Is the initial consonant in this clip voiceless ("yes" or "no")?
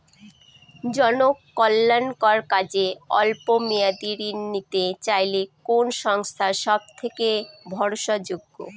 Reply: no